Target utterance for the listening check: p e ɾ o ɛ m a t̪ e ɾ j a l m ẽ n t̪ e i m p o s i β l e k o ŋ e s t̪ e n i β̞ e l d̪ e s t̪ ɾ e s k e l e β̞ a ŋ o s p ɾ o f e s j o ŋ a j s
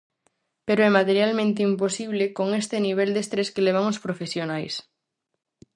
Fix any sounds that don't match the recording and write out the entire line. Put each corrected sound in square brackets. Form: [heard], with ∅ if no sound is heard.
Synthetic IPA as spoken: p e ɾ o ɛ m a t̪ e ɾ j a l m ẽ n t̪ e i m p o s i β l e k o ŋ e s t̪ e n i β̞ e l d̪ e s t̪ ɾ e s k e l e β̞ a ŋ o s p ɾ o f e s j o [n] a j s